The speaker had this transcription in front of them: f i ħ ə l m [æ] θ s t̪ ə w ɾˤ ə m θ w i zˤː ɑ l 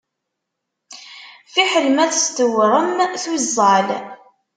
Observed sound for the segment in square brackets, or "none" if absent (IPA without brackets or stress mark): æ